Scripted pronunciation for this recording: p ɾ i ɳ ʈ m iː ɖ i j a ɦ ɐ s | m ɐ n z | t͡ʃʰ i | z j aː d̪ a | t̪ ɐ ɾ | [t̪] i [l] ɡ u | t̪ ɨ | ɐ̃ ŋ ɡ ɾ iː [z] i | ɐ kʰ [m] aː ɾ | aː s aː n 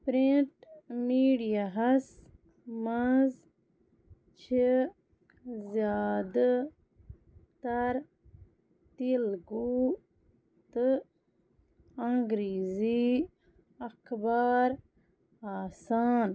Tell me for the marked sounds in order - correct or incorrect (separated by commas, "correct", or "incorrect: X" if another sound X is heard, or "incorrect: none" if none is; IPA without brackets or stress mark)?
correct, correct, correct, incorrect: b